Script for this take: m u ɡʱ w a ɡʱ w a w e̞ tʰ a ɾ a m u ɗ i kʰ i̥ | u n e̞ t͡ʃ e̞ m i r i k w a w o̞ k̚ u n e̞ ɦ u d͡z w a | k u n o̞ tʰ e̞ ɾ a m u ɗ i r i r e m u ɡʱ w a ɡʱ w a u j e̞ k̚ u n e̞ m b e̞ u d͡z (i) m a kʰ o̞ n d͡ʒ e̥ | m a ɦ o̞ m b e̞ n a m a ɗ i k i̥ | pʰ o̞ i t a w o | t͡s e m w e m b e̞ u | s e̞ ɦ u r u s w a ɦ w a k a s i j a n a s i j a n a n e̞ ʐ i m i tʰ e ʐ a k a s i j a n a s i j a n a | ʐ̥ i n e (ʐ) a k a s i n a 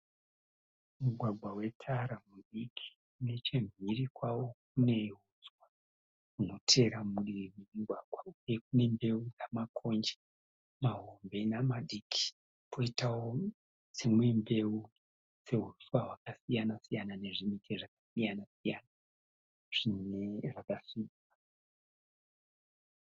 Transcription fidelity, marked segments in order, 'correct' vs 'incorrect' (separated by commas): incorrect, correct